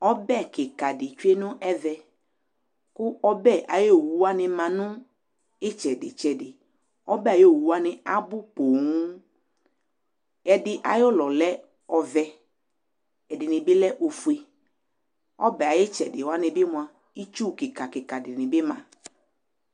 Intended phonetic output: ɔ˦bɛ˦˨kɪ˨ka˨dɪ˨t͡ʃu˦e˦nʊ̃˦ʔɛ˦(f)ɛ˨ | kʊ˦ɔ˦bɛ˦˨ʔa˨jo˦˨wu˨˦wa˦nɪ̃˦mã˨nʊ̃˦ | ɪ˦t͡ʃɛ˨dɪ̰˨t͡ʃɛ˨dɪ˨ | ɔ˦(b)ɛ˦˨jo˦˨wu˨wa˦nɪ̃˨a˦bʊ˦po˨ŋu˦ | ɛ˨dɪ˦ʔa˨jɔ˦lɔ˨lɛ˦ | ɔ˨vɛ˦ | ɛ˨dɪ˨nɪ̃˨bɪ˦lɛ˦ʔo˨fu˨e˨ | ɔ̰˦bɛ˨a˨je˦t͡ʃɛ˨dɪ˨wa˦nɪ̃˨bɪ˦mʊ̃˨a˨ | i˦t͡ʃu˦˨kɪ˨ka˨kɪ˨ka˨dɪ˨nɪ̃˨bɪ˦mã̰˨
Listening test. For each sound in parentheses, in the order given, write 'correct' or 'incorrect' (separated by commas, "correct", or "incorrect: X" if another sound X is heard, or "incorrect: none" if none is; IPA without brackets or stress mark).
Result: incorrect: v, correct